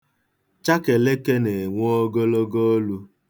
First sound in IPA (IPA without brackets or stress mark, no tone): t͡ʃ